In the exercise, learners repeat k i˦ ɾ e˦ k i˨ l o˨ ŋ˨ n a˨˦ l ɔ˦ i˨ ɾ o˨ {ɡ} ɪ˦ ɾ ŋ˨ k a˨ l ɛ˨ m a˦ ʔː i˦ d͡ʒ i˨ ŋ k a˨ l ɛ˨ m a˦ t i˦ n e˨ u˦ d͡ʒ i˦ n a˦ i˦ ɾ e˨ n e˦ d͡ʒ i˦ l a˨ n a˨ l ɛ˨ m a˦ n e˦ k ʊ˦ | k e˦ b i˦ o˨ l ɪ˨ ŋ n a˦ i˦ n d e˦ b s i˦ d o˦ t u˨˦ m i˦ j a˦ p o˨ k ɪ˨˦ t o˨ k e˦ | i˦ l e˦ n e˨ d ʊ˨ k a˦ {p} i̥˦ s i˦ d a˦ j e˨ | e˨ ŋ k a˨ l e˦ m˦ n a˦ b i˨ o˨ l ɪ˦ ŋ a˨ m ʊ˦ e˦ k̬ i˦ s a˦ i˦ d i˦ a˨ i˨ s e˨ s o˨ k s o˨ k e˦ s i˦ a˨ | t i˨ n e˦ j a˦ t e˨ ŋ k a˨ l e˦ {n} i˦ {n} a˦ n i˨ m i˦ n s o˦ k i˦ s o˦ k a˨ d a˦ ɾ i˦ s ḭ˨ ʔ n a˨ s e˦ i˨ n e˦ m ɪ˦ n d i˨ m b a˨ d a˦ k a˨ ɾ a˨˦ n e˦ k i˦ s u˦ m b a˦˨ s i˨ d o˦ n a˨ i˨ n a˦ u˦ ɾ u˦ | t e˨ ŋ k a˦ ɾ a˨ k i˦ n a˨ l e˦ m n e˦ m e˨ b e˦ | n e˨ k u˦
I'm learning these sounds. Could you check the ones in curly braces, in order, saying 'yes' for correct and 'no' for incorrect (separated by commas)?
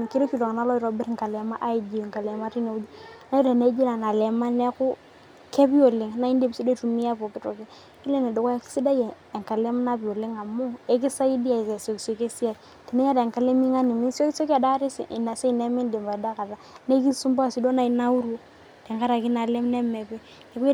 no, no, no, no